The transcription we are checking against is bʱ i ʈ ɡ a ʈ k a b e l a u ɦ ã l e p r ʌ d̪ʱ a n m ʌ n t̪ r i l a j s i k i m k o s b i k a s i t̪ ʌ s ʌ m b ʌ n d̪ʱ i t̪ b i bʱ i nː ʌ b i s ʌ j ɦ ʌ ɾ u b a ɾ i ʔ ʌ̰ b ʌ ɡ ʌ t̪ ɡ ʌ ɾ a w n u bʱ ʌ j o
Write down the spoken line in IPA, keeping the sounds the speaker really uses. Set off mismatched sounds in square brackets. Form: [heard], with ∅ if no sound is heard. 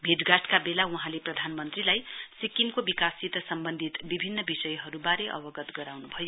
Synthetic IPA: bʱ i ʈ ɡ a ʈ k a b e l a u ɦ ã l e p r ʌ d̪ʱ a n m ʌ n t̪ r i l a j s i k i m k o [∅] b i k a s i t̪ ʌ s ʌ m b ʌ n d̪ʱ i t̪ b i bʱ i nː ʌ b i s ʌ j ɦ ʌ ɾ u b a ɾ [e] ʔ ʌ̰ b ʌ ɡ ʌ t̪ ɡ ʌ ɾ a w n u bʱ ʌ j o

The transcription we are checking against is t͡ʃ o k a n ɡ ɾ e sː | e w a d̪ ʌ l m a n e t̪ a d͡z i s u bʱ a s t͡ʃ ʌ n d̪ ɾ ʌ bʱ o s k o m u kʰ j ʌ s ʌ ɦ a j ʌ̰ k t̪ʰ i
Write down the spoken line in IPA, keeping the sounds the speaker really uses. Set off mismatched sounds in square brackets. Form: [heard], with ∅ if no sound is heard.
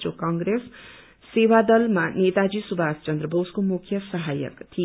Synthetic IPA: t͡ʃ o k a [ŋ] ɡ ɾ e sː | e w a d̪ ʌ l m a n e t̪ a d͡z i s u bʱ a s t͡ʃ ʌ n d̪ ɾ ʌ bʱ o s k o m u kʰ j ʌ s ʌ ɦ a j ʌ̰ k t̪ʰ i

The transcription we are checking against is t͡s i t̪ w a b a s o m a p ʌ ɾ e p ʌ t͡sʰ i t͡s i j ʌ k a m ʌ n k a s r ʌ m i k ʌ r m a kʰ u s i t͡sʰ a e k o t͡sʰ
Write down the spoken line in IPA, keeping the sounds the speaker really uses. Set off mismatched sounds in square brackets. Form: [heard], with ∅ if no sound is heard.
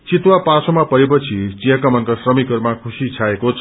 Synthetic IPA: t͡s i t̪ w a [p] a s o m a p ʌ ɾ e p ʌ t͡sʰ i t͡s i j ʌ k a m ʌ n k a s r ʌ m i k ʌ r m a kʰ u s i t͡sʰ a e k o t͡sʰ

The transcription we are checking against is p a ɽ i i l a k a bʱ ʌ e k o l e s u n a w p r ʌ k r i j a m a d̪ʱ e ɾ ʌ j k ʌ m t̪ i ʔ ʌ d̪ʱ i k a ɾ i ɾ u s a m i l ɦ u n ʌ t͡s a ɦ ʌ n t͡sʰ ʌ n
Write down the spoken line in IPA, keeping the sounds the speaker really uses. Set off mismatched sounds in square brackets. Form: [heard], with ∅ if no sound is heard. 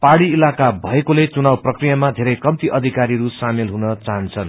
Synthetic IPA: p a ɽ i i l a k a bʱ ʌ e k o l e [t͡s] u n a w p r ʌ k r i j a m a d̪ʱ e ɾ ʌ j k ʌ m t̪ i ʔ ʌ d̪ʱ i k a ɾ i ɾ u s a m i l ɦ u n ʌ t͡s a ɦ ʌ n t͡sʰ ʌ n

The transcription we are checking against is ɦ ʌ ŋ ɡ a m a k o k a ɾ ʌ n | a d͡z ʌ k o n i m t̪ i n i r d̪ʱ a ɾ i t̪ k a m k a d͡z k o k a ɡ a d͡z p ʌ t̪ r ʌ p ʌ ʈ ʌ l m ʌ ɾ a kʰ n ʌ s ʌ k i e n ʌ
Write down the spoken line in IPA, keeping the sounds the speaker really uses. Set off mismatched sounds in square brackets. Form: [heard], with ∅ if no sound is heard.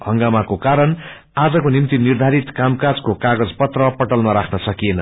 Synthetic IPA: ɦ ʌ ŋ ɡ a m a k o k a ɾ ʌ n | a d͡z ʌ k o n i m t̪ i n i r d̪ʱ a ɾ i t̪ k a m k a d͡z k o k a ɡ [ʌ] d͡z p ʌ t̪ r ʌ p ʌ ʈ ʌ l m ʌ ɾ a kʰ n ʌ s ʌ k i e n ʌ

